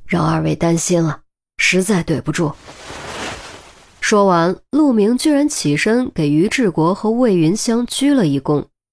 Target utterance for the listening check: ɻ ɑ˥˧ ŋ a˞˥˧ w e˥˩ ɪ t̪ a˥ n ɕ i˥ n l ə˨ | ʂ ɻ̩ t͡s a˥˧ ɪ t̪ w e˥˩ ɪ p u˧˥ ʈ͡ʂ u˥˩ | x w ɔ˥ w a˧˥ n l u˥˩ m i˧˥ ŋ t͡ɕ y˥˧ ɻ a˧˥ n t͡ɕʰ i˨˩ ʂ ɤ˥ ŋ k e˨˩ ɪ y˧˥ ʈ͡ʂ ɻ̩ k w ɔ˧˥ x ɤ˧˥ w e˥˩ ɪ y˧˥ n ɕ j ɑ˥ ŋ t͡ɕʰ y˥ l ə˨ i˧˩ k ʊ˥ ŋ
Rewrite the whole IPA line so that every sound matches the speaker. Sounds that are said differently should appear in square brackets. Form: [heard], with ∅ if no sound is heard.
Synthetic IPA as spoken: ɻ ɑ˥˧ ŋ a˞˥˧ w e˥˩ ɪ t̪ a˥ n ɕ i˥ n l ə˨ | ʂ ɻ̩ t͡s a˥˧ ɪ t̪ w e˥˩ ɪ p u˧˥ ʈ͡ʂ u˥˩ | [ʂ] w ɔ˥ w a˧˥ n l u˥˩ m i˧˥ ŋ t͡ɕ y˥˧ ɻ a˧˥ n t͡ɕʰ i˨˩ ʂ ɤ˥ ŋ k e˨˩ ɪ y˧˥ ʈ͡ʂ ɻ̩ k w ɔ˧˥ x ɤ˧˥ w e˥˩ ɪ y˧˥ n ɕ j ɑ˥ ŋ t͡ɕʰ y˥ l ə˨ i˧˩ k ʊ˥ ŋ